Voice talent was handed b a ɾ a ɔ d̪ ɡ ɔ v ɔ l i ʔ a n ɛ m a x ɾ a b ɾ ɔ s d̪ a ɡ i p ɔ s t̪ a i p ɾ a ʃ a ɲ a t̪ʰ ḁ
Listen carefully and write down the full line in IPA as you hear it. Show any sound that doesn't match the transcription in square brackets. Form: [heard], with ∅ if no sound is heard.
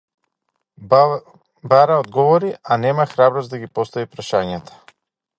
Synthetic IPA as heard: b a ɾ a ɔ d̪ ɡ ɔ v ɔ [ɾ] i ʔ a n ɛ m a x ɾ a b ɾ ɔ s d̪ a ɡ i p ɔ s t̪ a i p ɾ a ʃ a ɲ a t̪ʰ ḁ